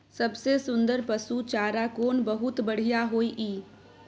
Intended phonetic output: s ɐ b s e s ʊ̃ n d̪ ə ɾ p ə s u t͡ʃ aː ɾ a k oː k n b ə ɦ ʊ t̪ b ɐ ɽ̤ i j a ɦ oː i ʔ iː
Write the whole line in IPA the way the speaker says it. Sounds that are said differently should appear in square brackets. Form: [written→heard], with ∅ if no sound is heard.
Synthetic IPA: s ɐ b s e s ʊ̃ n d̪ ə ɾ p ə s u t͡ʃ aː ɾ a k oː [k→∅] n b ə ɦ ʊ t̪ b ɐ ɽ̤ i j a ɦ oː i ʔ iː